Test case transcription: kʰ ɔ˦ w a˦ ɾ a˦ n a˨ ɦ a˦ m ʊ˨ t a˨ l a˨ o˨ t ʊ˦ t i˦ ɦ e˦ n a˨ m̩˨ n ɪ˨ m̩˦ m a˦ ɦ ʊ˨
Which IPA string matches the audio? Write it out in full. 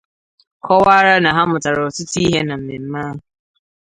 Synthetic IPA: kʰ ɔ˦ w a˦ ɾ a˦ n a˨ ɦ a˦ m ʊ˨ t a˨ ɾ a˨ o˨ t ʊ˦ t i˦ ɦ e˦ n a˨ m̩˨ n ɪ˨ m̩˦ m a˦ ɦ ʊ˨